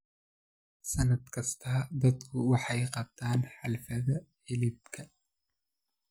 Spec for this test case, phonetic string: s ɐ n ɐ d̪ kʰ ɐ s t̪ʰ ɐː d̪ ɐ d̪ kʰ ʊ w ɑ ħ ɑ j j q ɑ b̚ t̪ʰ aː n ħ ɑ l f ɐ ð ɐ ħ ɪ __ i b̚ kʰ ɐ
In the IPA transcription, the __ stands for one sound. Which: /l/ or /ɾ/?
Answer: l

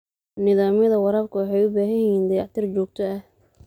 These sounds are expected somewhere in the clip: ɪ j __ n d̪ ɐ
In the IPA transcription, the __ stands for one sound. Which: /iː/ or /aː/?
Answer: iː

